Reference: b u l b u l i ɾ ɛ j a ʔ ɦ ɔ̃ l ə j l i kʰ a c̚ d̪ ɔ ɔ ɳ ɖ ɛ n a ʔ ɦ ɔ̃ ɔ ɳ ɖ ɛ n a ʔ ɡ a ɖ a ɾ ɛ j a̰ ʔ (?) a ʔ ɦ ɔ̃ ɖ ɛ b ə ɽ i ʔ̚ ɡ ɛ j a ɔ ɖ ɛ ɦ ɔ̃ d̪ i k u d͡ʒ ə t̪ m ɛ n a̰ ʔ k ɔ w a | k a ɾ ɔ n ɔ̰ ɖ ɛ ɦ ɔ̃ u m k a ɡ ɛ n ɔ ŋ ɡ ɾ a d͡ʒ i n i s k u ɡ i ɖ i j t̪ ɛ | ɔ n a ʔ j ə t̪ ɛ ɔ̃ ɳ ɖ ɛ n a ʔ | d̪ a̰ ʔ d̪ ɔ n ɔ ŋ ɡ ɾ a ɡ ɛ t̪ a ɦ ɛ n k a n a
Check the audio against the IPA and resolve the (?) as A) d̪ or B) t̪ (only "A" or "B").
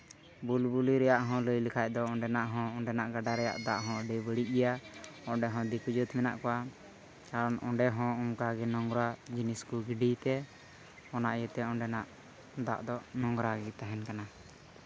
A